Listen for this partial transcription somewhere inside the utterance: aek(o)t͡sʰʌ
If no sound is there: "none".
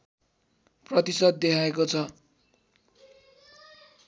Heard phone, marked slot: o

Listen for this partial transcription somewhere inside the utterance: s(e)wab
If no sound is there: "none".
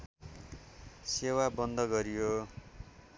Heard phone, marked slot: e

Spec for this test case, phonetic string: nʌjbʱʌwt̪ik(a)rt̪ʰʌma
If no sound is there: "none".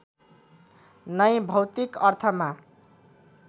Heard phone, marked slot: ʌ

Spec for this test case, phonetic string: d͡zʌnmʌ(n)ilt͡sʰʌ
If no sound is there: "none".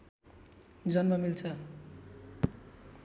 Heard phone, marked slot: m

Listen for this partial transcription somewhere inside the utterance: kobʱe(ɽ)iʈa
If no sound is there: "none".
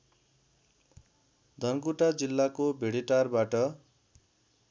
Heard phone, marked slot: ɽ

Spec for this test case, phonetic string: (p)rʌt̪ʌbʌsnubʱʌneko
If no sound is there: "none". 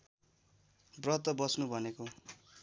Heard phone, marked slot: b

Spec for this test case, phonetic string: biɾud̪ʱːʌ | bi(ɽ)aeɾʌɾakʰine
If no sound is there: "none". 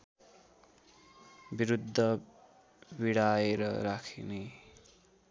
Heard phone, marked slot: ɽ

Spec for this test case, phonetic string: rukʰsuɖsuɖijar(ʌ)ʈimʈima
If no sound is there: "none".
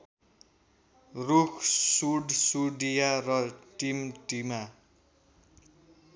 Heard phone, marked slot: ʌ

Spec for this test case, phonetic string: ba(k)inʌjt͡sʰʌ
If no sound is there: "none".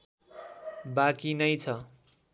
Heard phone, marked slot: k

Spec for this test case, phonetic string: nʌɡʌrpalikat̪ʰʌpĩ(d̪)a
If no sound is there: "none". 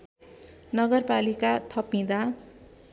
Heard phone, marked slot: d̪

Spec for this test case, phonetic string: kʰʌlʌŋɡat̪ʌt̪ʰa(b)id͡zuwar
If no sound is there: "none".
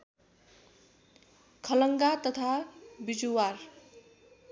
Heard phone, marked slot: b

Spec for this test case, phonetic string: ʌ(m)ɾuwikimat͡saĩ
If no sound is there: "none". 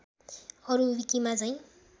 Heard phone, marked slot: none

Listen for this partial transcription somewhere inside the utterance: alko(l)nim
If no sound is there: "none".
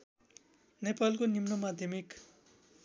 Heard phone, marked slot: none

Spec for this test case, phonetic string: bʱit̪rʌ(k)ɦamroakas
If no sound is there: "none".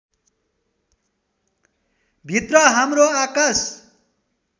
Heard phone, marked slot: none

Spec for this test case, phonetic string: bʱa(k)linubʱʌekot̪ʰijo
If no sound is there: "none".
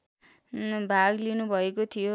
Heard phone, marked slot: ɡ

